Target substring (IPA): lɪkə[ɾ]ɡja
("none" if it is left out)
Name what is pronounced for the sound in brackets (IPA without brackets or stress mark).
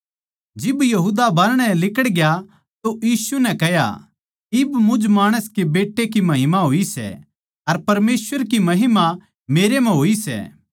ɽ